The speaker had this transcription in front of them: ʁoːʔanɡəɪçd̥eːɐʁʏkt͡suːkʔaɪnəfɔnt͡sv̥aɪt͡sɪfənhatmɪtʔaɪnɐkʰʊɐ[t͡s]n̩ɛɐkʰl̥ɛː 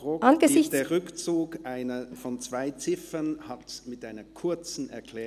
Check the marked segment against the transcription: correct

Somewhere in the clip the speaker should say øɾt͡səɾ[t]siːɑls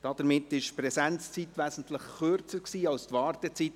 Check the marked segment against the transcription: incorrect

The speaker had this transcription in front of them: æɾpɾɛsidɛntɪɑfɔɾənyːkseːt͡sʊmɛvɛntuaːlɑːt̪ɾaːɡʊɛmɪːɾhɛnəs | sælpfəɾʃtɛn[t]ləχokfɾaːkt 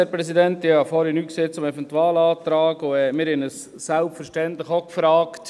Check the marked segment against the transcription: correct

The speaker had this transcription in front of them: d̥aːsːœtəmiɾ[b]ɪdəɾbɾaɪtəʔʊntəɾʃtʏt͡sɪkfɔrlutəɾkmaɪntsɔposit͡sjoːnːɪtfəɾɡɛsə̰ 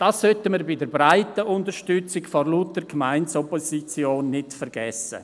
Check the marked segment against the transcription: correct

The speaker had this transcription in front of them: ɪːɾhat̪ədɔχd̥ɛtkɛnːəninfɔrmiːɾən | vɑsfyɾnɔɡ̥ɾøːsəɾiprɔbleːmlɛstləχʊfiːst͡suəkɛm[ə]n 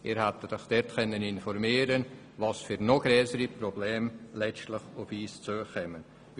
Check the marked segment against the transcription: correct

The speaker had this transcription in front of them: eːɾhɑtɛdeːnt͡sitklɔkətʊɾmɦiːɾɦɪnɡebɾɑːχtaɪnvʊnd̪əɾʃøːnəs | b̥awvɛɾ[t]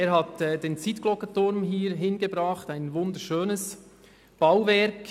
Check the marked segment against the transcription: incorrect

